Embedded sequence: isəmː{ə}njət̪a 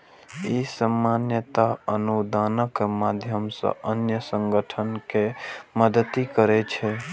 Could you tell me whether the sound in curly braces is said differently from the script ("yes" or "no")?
yes